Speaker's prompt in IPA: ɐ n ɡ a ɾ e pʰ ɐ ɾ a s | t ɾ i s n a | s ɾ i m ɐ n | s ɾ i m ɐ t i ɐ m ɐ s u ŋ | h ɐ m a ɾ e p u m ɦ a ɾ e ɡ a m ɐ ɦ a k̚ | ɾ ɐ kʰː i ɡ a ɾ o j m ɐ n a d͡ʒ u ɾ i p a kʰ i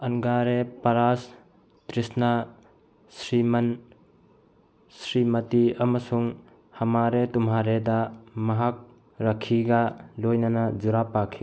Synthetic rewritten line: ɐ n ɡ a ɾ e p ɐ ɾ a s | t ɾ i s n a | s ɾ i m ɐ n | s ɾ i m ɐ t i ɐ m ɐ s u ŋ | h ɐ m a ɾ e t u m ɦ a ɾ e d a m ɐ ɦ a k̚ | ɾ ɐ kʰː i ɡ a l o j n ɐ n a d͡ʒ u ɾ a p a kʰ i